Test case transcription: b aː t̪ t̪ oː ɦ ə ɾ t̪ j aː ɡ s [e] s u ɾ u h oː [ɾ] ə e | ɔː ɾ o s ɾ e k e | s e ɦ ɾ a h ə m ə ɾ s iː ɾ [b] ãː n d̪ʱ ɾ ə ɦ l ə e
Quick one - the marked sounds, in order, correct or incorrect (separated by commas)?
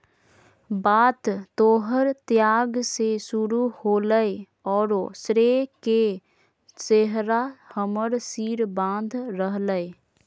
correct, incorrect, correct